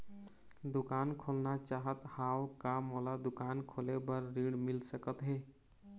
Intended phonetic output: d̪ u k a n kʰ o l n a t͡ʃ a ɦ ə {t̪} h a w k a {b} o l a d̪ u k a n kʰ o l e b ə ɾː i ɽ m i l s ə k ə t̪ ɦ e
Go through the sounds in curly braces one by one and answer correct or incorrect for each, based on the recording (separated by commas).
correct, incorrect